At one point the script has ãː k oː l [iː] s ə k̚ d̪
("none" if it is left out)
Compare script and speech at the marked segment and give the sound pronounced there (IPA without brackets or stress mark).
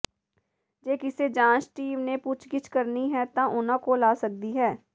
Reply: aː